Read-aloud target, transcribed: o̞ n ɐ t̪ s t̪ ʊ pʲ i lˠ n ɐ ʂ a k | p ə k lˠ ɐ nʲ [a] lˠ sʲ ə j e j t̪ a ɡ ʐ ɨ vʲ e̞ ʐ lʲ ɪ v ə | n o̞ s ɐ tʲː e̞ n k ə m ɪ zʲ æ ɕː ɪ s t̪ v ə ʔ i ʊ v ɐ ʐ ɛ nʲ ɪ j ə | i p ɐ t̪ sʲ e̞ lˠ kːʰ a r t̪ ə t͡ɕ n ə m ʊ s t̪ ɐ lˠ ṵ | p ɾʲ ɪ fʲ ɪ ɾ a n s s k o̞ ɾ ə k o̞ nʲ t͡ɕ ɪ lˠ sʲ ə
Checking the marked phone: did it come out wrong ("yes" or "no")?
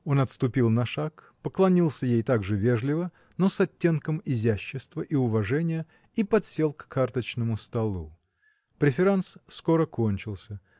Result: yes